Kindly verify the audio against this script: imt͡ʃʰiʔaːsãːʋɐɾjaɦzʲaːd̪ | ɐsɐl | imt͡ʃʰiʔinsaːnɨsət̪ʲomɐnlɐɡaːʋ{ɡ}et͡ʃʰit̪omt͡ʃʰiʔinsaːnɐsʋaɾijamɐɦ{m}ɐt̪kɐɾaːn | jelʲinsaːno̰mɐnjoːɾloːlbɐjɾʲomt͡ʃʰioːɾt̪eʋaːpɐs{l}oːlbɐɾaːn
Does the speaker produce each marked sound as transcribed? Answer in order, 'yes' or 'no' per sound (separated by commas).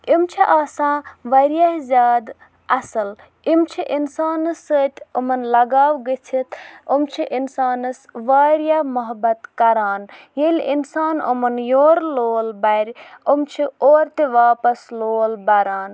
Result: yes, no, yes